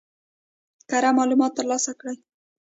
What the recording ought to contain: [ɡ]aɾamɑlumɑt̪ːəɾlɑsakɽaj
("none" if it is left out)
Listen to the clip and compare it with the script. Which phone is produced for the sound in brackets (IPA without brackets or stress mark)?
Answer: k